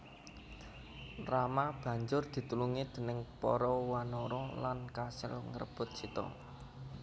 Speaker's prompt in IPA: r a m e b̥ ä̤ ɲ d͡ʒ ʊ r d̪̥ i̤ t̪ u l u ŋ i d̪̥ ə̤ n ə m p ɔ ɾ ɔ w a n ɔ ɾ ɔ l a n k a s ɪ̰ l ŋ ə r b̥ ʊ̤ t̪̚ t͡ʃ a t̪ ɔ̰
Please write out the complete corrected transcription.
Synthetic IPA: r a m a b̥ ä̤ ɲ d͡ʒ ʊ r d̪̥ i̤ t̪ u l u ŋ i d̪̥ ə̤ n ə ŋ p ɔ ɾ ɔ w a n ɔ ɾ ɔ l a n k a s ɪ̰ l ŋ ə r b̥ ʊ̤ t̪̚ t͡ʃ i t̪ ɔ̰